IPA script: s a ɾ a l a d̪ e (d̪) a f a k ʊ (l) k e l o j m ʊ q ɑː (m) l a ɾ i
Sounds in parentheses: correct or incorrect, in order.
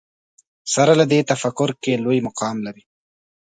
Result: incorrect, incorrect, correct

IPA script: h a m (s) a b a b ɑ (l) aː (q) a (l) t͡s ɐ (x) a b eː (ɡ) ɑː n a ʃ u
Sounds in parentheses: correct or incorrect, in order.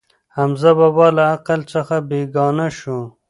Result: incorrect, correct, correct, correct, correct, correct

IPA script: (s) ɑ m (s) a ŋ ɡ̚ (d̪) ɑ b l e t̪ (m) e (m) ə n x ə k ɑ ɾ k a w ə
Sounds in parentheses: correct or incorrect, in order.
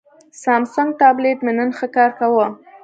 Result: correct, correct, incorrect, correct, incorrect

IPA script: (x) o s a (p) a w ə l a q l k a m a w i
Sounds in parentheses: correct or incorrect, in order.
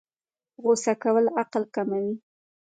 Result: incorrect, incorrect

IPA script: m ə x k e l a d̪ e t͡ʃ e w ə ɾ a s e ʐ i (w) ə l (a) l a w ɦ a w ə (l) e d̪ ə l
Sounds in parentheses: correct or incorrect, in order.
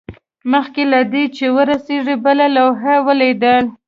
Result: incorrect, correct, correct

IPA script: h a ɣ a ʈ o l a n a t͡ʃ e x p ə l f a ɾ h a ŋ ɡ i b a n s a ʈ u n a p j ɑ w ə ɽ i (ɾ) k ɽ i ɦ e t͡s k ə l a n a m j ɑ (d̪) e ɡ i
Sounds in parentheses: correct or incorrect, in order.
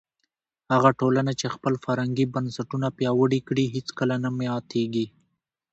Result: incorrect, incorrect

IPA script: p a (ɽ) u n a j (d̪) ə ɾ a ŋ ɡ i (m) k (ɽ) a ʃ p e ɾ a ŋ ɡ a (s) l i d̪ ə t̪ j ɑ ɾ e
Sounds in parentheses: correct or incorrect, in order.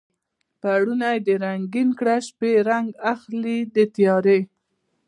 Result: correct, correct, incorrect, correct, incorrect

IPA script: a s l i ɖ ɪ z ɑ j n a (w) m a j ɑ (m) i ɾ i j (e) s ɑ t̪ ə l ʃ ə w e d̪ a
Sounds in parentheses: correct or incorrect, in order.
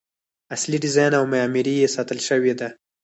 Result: correct, correct, correct

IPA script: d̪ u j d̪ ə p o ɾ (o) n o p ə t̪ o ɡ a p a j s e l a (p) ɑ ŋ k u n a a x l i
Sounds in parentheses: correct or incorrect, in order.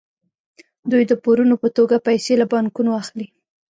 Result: incorrect, incorrect

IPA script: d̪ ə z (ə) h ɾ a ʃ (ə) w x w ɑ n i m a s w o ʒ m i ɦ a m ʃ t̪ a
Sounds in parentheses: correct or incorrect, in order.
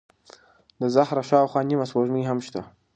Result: incorrect, incorrect

